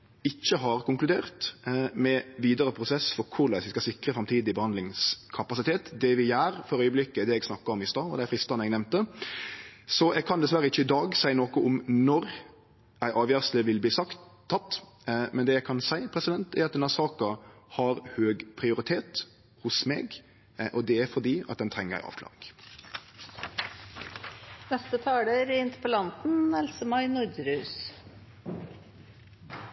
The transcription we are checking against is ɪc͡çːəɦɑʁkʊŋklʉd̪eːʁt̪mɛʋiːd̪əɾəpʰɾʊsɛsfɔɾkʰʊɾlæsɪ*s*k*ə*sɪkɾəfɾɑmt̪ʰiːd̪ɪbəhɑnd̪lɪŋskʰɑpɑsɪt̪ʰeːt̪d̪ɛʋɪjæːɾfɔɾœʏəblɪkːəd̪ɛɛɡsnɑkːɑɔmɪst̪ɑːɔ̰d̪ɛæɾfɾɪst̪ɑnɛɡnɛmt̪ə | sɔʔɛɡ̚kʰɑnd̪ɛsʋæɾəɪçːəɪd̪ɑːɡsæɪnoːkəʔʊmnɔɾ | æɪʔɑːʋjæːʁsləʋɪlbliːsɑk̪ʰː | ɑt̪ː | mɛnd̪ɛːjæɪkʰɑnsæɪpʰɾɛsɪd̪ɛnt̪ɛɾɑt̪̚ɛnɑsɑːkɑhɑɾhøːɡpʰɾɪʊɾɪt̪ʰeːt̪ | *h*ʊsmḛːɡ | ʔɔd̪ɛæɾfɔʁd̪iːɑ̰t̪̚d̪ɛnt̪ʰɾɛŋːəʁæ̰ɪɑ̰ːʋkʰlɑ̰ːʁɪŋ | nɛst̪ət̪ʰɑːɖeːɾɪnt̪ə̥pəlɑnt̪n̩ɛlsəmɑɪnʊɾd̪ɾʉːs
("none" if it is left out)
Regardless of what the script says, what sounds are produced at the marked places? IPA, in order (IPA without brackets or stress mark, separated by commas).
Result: s, ɑ, h